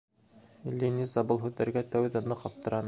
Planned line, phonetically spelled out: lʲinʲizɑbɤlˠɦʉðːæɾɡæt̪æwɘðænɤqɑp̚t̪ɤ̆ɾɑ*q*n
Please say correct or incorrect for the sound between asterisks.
incorrect